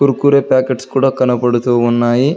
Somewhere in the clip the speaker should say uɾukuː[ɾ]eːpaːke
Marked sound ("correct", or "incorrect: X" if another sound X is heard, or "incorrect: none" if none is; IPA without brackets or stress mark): correct